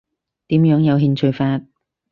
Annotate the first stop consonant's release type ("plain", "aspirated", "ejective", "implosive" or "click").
plain